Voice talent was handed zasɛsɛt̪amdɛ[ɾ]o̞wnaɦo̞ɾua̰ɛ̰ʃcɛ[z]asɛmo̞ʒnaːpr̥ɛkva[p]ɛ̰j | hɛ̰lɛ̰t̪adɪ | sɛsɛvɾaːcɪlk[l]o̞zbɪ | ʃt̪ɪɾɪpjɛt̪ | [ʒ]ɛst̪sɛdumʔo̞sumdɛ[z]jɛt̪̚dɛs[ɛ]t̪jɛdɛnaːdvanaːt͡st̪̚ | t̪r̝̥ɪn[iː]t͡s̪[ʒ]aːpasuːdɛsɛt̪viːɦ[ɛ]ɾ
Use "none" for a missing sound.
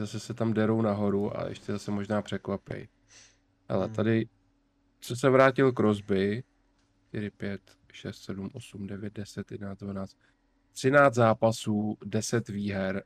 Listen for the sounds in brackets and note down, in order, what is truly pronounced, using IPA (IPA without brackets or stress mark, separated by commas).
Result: ɾ, z, p, ɾ, ʃ, v, ɛ, aː, z, ɛ